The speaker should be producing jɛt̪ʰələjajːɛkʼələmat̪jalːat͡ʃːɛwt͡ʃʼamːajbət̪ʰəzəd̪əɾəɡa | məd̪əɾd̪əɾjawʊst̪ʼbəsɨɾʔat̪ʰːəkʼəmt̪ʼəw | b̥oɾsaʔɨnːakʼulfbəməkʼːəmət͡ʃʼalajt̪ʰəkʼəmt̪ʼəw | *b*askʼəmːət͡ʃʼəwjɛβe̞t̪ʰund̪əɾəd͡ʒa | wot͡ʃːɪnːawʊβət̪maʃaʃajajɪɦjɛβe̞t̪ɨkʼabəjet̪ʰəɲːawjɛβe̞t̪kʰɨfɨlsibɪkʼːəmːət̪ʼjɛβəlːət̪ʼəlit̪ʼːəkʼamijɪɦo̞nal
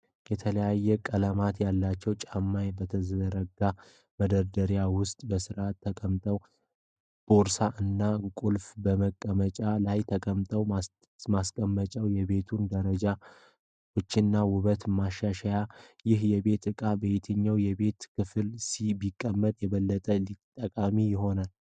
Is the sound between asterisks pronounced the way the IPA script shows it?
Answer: no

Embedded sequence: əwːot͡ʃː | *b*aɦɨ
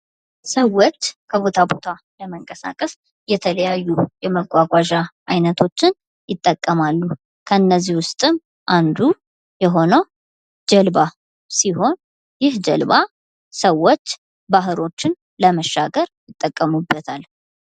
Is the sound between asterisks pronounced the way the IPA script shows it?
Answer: yes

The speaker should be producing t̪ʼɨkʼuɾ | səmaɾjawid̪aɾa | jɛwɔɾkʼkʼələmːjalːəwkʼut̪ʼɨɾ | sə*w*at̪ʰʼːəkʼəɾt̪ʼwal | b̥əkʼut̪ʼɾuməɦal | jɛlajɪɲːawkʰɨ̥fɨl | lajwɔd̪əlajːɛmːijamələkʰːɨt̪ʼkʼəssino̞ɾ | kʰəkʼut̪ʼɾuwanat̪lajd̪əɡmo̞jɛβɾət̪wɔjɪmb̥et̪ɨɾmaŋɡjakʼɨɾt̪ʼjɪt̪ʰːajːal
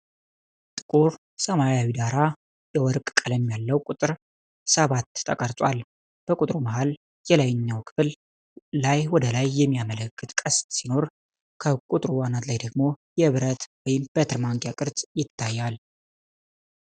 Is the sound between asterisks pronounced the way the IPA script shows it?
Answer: no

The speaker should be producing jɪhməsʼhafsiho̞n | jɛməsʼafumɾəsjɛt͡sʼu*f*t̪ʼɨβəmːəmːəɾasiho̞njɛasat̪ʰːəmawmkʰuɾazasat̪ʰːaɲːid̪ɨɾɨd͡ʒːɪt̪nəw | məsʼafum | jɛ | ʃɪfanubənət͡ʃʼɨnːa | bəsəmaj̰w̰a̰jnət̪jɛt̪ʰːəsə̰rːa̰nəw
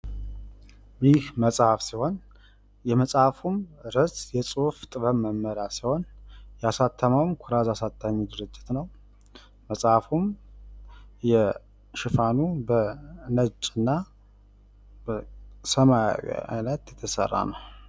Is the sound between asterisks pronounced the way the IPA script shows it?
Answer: yes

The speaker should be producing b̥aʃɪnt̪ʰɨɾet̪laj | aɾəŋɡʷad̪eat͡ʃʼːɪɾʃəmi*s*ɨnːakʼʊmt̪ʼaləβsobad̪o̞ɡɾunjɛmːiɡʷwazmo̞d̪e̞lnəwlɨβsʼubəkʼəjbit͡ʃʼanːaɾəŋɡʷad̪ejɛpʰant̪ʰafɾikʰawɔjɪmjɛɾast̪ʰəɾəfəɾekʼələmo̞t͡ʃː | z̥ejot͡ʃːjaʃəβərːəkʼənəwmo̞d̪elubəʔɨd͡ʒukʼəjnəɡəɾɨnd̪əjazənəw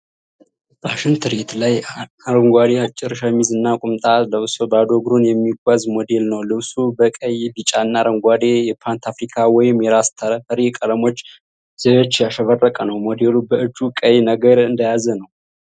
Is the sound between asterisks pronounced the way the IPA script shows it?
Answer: no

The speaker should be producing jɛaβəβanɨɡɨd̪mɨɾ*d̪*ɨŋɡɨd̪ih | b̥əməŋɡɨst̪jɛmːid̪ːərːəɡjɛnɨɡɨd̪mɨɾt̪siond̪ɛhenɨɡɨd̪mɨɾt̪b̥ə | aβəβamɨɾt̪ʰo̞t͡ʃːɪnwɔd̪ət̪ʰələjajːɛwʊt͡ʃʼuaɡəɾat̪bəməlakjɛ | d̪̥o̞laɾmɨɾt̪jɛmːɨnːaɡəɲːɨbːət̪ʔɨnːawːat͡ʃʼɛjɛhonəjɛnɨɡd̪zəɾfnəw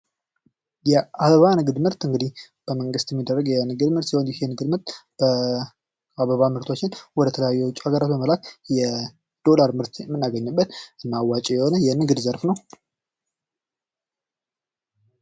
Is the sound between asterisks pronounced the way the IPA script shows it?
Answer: no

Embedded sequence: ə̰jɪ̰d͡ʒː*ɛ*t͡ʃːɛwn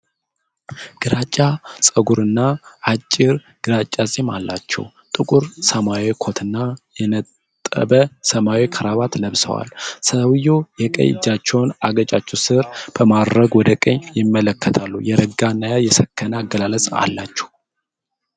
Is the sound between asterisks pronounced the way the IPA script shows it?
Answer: no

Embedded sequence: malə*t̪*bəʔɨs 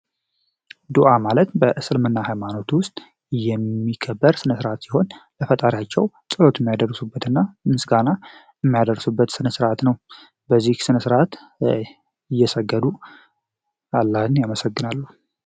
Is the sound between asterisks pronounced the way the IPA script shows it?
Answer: yes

